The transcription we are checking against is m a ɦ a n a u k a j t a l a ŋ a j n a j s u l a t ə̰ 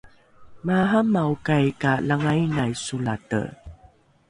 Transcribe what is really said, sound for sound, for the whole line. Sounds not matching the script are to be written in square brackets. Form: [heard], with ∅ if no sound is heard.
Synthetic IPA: m a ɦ a [m] a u k a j [k] a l a ŋ a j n a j s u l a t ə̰